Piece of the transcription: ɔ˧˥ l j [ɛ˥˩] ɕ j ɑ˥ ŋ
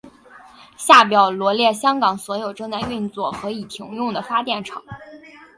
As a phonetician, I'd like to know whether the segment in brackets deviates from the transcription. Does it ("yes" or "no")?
no